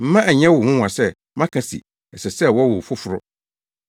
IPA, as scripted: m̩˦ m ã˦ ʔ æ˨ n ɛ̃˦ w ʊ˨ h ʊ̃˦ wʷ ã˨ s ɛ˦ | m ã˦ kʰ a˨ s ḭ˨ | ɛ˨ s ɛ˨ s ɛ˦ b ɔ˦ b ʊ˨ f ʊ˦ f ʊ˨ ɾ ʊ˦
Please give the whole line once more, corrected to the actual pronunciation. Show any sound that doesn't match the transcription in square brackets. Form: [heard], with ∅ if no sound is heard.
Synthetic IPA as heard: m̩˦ m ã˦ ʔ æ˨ [ɲ] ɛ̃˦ w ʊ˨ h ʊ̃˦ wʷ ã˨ s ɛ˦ | m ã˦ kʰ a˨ s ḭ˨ | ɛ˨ s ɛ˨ s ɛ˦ [w] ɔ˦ [w] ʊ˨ f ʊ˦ f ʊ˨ ɾ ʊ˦